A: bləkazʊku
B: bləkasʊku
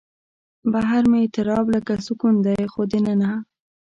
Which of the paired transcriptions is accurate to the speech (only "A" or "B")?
B